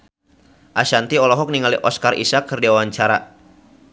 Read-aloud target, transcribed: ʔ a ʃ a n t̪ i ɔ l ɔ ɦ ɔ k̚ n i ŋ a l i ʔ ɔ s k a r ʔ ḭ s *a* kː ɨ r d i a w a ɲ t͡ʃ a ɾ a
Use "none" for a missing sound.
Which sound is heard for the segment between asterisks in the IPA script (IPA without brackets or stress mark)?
a